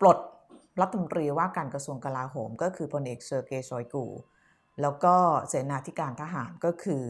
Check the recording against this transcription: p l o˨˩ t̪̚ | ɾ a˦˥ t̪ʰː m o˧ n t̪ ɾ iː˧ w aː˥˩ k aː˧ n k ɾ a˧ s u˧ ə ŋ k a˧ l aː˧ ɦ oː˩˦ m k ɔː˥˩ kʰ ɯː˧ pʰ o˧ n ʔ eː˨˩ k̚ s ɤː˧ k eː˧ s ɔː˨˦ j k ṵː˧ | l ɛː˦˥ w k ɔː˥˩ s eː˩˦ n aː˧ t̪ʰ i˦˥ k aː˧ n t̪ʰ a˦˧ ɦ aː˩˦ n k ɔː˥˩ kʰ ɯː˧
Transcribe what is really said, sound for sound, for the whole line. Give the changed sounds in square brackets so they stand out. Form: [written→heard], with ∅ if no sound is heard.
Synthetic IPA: p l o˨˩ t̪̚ | ɾ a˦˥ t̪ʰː m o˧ n t̪ ɾ iː˧ w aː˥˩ k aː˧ n k ɾ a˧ s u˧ ə ŋ k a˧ l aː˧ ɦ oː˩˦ m k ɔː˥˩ kʰ ɯː˧ pʰ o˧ n ʔ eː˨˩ k̚ s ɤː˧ k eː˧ s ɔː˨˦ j k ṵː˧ | l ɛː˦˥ w k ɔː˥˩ s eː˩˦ n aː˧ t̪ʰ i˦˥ k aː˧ n t̪ʰ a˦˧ ɦ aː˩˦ n k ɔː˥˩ kʰ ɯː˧